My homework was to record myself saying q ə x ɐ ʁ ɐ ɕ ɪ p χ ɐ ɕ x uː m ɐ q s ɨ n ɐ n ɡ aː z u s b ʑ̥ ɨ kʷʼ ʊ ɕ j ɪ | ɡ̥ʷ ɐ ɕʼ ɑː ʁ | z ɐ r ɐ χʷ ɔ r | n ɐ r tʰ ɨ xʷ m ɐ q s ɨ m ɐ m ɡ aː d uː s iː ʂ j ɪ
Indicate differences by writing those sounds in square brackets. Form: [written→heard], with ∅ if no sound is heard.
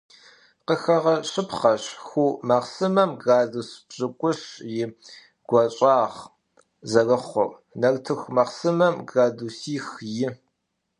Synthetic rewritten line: q ə x ɐ ʁ ɐ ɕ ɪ p χ ɐ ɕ x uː m ɐ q s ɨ [n→m] ɐ [n→m] ɡ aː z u s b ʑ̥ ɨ kʷʼ ʊ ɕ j ɪ | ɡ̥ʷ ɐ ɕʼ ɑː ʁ | z ɐ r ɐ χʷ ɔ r | n ɐ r tʰ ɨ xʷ m ɐ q s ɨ m ɐ m ɡ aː d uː s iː [ʂ→x] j ɪ